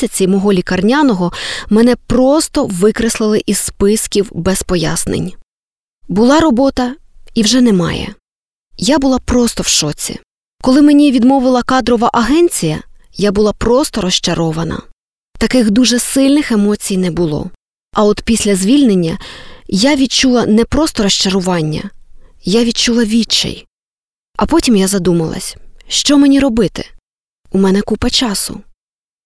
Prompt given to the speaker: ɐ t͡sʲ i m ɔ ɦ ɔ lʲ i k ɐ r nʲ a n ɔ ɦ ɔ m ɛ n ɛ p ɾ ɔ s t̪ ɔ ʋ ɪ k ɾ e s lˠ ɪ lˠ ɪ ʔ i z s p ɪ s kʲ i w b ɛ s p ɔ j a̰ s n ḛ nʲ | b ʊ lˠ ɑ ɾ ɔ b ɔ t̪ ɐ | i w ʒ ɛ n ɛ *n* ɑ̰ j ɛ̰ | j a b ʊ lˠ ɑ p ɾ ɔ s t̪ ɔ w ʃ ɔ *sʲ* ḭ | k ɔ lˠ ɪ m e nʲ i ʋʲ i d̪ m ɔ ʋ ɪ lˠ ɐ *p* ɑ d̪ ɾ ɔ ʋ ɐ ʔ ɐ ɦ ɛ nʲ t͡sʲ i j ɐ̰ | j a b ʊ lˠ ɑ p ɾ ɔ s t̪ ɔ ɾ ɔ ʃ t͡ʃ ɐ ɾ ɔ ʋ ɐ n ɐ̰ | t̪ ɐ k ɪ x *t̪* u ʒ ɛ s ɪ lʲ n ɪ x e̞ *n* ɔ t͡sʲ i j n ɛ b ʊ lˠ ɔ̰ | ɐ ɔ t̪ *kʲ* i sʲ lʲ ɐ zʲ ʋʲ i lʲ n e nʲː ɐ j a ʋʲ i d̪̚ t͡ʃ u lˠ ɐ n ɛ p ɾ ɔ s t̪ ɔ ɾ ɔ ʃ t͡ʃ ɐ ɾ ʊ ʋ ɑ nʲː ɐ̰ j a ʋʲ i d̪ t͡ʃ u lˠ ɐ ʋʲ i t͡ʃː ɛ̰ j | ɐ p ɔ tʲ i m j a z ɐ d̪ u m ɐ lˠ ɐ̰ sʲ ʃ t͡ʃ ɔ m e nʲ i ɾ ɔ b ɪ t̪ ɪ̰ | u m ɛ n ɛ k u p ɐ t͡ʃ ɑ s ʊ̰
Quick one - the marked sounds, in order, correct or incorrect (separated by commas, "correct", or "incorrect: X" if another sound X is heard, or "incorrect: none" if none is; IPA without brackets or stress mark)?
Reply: incorrect: m, incorrect: t͡sʲ, incorrect: k, incorrect: d̪, incorrect: m, incorrect: pʲ